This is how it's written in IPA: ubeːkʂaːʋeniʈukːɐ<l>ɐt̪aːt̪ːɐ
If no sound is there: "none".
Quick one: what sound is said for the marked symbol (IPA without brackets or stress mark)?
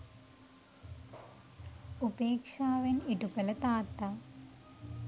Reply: l